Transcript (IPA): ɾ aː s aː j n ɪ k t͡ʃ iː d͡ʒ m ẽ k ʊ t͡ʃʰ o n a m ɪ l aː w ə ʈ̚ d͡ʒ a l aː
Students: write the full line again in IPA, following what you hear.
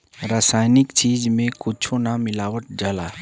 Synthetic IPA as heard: ɾ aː s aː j n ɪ k t͡ʃ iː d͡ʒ m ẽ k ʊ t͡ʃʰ o n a m ɪ l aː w ə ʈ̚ d͡ʒ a l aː